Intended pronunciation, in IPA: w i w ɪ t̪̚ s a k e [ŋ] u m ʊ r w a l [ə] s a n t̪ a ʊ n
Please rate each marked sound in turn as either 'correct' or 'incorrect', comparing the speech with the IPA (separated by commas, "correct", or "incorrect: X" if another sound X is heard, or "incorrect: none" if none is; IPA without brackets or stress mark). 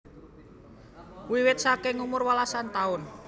correct, incorrect: a